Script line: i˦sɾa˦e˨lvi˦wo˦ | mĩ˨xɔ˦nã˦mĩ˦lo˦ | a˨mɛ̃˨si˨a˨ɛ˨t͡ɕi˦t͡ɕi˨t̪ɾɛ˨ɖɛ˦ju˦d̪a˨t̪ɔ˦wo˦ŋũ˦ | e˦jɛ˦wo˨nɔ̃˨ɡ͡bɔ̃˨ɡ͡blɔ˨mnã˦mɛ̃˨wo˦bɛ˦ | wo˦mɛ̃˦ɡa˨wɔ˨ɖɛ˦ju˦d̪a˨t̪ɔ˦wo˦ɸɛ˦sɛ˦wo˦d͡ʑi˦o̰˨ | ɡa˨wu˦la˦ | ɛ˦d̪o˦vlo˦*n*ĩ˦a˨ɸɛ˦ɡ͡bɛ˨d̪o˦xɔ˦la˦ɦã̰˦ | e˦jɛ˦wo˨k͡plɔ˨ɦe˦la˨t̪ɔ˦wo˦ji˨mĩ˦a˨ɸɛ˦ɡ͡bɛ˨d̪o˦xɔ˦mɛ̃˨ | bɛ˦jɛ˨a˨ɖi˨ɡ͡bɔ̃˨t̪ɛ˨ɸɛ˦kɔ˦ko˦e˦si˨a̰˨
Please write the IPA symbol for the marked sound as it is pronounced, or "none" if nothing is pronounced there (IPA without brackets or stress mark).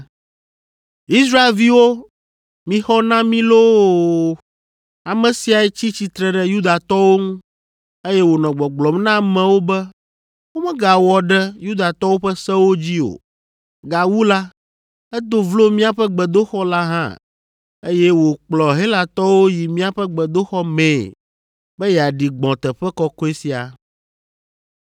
m